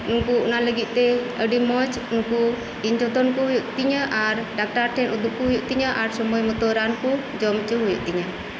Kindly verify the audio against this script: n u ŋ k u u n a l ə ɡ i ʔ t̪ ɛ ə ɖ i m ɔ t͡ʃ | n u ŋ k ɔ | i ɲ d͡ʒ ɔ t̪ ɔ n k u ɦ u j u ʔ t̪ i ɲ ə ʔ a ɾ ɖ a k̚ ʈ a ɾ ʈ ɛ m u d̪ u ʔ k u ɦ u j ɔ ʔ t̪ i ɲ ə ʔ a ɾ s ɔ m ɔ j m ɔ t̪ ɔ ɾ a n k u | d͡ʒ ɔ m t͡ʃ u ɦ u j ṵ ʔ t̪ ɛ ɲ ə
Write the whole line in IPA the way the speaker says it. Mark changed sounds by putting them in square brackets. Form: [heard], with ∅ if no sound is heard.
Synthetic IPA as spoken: n u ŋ k u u n a l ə ɡ i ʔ t̪ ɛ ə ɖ i m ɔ t͡ʃ | n u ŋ k [u] | i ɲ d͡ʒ ɔ t̪ ɔ n k u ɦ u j u ʔ t̪ i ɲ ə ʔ a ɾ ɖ a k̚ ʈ a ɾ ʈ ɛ [n] u d̪ u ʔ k u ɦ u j [u] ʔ t̪ i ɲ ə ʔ a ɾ s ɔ m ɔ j m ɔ t̪ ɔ ɾ a n k u | d͡ʒ ɔ m t͡ʃ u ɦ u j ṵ ʔ t̪ [i] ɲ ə